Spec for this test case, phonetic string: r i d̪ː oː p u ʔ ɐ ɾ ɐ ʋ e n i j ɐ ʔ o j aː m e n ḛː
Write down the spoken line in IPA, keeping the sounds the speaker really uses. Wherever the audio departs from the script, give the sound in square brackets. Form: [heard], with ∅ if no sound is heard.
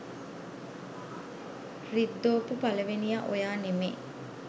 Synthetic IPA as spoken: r i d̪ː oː p u [p] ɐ [l] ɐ ʋ e n i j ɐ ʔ o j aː [n] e [m] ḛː